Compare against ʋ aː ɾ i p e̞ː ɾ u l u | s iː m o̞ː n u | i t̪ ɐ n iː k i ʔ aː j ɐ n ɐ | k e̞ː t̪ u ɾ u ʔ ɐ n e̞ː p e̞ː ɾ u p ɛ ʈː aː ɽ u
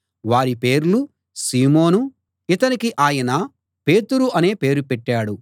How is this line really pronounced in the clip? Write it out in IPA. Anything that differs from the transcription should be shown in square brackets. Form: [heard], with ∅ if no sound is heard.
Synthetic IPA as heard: ʋ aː ɾ i p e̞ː ɾ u l u | s iː m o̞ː n u | i t̪ ɐ n [i] k i ʔ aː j ɐ n ɐ | [p] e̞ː t̪ u ɾ u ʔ ɐ n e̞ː p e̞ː ɾ u p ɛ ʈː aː ɽ u